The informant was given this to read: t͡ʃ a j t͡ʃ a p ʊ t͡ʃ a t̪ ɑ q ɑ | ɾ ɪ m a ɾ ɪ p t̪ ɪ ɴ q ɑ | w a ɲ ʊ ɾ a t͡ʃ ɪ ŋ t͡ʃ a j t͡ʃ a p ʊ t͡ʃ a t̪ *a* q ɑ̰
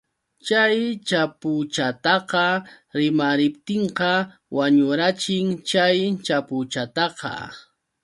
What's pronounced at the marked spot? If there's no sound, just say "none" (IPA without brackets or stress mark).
ɑ